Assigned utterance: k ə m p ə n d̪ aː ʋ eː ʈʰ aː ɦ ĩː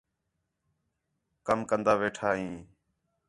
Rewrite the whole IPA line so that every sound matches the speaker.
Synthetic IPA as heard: k ə m k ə n d̪ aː ʋ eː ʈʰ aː ɦ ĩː